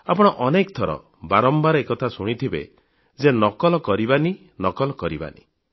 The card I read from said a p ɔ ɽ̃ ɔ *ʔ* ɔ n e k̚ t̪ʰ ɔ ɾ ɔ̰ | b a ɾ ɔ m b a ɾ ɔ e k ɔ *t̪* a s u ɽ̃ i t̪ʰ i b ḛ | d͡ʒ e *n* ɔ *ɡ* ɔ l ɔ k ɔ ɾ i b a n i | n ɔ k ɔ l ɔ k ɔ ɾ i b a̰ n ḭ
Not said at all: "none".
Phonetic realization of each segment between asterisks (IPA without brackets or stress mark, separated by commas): ʔ, t̪ʰ, n, k